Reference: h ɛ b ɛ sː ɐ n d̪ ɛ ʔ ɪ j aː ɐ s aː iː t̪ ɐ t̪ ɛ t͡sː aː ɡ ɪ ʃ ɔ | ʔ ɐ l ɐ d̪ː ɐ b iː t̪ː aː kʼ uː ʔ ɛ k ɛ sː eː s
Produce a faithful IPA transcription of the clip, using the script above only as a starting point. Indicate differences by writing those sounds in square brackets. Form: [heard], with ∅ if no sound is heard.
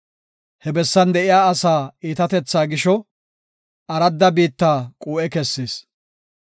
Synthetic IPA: h ɛ b ɛ sː ɐ n d̪ ɛ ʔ ɪ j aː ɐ s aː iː t̪ ɐ t̪ ɛ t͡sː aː ɡ ɪ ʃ ɔ | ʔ ɐ [ɾ] ɐ d̪ː ɐ b iː t̪ː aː kʼ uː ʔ ɛ k ɛ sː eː s